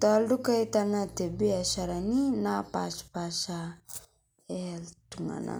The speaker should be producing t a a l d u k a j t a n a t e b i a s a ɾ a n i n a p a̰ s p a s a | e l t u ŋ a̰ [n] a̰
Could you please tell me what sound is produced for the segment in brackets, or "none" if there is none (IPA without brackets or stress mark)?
n